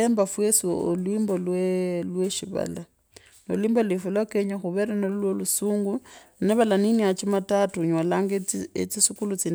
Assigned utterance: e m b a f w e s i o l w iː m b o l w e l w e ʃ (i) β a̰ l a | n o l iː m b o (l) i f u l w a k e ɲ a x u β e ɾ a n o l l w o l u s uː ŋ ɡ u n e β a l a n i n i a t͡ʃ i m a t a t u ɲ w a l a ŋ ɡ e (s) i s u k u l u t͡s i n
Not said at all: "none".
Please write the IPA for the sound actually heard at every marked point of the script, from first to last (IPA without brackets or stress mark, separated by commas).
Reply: i, l, t͡s